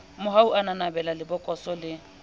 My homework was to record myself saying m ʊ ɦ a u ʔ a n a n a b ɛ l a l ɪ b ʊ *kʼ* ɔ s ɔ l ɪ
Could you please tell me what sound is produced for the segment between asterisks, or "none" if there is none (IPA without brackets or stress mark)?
kʼ